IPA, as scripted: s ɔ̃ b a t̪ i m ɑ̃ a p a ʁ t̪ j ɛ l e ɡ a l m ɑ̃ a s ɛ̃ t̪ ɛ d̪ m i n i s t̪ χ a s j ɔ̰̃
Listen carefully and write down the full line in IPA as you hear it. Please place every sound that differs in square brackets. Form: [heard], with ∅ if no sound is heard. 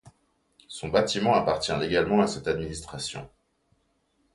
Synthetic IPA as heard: s ɔ̃ b a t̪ i m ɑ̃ a p a ʁ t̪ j [ɛ̃] l e ɡ a l m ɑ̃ a s [ɛ] t̪ [a] d̪ m i n i s t̪ χ a s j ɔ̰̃